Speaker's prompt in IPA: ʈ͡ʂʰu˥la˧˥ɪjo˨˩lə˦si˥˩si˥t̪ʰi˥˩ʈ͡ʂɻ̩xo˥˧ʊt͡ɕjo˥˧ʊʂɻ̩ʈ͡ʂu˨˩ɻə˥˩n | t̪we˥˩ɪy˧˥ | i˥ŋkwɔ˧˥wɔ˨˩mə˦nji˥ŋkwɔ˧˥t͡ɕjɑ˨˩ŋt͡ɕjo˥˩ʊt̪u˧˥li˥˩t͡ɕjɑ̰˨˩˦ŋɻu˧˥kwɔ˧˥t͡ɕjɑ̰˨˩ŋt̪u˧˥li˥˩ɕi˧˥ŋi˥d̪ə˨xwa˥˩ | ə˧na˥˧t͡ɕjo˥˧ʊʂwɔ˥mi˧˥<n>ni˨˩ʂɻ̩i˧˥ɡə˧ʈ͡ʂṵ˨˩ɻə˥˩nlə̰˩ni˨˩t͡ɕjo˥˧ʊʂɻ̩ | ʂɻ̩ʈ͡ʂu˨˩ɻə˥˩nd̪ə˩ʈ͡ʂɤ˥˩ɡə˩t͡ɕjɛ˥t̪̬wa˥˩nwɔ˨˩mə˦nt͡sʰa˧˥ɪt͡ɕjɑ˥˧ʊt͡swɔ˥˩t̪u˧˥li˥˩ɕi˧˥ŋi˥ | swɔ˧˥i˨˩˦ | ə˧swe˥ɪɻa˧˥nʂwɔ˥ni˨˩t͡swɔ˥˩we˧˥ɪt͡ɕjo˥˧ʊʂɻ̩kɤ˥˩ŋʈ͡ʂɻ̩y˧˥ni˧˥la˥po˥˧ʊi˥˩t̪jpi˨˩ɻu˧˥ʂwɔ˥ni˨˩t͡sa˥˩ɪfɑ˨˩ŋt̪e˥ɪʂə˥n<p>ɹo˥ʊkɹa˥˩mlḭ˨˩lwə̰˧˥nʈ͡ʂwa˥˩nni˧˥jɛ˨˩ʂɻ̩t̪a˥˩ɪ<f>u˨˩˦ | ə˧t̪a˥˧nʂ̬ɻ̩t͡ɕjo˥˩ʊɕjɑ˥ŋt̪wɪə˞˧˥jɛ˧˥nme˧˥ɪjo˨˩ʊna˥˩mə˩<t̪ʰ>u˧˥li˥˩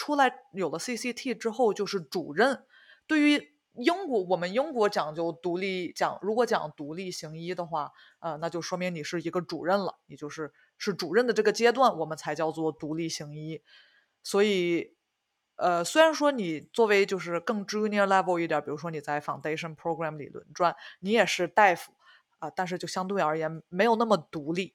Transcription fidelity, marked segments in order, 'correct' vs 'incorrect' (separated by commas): incorrect, incorrect, correct, incorrect